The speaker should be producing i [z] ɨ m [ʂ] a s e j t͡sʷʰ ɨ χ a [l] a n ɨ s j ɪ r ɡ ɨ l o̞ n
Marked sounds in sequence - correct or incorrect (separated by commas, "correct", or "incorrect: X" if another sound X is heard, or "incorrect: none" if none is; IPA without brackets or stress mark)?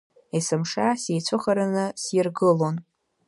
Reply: incorrect: s, correct, incorrect: ɾ